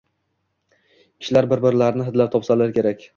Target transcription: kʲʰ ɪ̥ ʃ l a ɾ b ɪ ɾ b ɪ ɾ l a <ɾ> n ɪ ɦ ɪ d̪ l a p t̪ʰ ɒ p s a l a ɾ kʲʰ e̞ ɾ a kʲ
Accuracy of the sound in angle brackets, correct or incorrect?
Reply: correct